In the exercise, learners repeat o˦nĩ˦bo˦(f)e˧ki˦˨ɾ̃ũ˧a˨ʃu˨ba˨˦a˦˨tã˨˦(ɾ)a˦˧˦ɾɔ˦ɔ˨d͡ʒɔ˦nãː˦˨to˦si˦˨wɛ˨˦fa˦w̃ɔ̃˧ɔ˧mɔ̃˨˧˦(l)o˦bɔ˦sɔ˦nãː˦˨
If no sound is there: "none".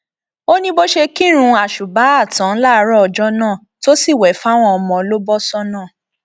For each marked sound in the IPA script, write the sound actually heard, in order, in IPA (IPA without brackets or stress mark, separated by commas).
ʃ, l, l